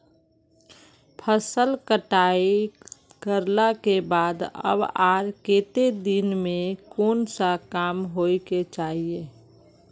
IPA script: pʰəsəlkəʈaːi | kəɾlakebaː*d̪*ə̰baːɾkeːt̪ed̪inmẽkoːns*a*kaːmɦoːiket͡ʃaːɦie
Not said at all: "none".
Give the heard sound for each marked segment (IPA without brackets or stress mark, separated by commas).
d̪, a